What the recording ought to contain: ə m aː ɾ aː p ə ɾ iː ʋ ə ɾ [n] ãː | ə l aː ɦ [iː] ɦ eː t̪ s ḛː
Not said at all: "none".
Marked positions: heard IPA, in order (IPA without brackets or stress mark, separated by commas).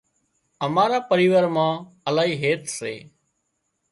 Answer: m, iː